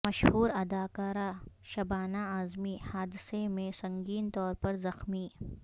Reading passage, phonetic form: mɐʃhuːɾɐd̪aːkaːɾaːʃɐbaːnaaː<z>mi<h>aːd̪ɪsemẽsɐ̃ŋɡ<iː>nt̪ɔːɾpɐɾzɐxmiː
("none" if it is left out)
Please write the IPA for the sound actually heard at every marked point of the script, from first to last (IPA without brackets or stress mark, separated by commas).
z, h, iː